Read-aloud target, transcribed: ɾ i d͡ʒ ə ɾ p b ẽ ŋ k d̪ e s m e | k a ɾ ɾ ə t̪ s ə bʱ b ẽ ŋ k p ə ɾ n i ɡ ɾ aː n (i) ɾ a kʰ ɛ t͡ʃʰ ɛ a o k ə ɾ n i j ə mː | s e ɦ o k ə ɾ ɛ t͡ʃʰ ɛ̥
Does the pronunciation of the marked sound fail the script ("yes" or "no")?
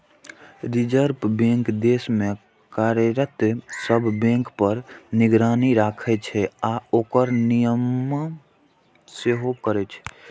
no